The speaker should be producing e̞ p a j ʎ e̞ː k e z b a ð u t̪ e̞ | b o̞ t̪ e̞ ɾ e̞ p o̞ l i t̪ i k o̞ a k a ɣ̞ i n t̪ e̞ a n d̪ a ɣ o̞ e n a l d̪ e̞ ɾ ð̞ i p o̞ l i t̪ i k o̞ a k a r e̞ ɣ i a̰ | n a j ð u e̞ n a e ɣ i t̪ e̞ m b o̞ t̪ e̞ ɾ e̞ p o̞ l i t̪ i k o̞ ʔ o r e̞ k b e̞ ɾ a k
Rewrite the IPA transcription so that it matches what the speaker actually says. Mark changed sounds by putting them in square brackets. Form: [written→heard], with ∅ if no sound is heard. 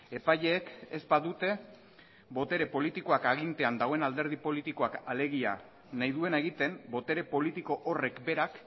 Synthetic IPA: e̞ p a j ʎ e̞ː k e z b a ð u t̪ e̞ | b o̞ t̪ e̞ ɾ e̞ p o̞ l i t̪ i k o̞ a k a ɣ̞ i n t̪ e̞ a n d̪ a ɣ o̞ e n a l d̪ e̞ ɾ ð̞ i p o̞ l i t̪ i k o̞ a k a [r→l] e̞ ɣ i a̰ | n a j ð u e̞ n a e ɣ i t̪ e̞ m b o̞ t̪ e̞ ɾ e̞ p o̞ l i t̪ i k o̞ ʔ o r e̞ k b e̞ ɾ a k

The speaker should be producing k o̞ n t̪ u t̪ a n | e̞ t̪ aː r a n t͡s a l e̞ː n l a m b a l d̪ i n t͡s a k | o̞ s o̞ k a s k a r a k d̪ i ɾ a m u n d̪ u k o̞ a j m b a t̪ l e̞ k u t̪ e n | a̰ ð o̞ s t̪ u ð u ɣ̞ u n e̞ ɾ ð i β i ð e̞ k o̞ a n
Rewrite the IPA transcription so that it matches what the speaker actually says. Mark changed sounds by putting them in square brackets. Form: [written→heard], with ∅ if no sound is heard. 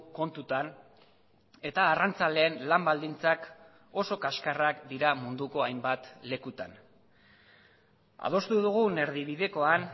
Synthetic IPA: k o̞ n t̪ u t̪ a n | e̞ t̪ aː r a n t͡s a l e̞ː n l a m b a l d̪ i n t͡s a k | o̞ s o̞ k a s k a r a k d̪ i ɾ a m u n d̪ u k o̞ a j m b a t̪ l e̞ k u t̪ [e→a] n | a̰ ð o̞ s t̪ u ð u ɣ̞ u n e̞ ɾ ð i β i ð e̞ k o̞ a n

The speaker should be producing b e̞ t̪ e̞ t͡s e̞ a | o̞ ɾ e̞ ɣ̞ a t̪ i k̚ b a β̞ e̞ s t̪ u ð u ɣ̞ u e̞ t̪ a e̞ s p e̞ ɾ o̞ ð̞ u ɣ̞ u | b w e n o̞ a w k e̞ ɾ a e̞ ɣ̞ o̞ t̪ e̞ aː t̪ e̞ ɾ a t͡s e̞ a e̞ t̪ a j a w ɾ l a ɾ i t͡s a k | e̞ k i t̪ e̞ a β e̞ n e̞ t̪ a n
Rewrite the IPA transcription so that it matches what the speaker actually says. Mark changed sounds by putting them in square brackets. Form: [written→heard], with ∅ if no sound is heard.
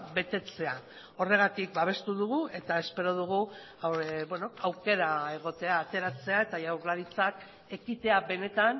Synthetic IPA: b e̞ t̪ e̞ t͡s e̞ a | o̞ [ɾ→r] e̞ ɣ̞ a t̪ i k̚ b a β̞ e̞ s t̪ u ð u ɣ̞ u e̞ t̪ a e̞ s p e̞ ɾ o̞ ð̞ u ɣ̞ u | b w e n o̞ a w k e̞ ɾ a e̞ ɣ̞ o̞ t̪ e̞ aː t̪ e̞ ɾ a t͡s e̞ a e̞ t̪ a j a w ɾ l a ɾ i t͡s a k | e̞ k i t̪ e̞ a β e̞ n e̞ t̪ a n

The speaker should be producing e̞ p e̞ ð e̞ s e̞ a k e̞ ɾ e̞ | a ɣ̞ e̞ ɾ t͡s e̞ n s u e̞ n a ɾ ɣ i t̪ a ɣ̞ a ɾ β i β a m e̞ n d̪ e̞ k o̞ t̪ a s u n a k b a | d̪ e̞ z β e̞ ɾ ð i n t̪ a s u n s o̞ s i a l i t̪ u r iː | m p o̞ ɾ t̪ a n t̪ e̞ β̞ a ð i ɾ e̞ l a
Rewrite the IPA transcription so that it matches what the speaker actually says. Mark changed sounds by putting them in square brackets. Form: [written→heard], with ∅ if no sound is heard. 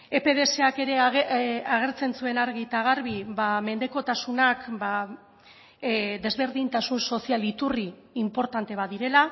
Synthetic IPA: e̞ p e̞ ð e̞ s e̞ a k e̞ ɾ e̞ | a ɣ̞ e̞ ɾ t͡s e̞ n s u e̞ n a ɾ ɣ i t̪ a ɣ̞ a ɾ β i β a m e̞ n d̪ e̞ k o̞ t̪ a s u n a k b a | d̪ e̞ z β e̞ ɾ ð i n t̪ a s u n s o̞ s i a l i t̪ u r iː | m p o̞ ɾ t̪ a n t̪ e̞ β̞ a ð i ɾ e̞ l a

